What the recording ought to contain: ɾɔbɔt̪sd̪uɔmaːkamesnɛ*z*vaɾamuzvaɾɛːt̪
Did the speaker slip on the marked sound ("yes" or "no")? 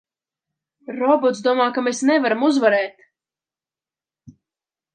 yes